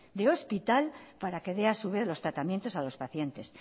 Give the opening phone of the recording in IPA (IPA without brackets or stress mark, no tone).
d̪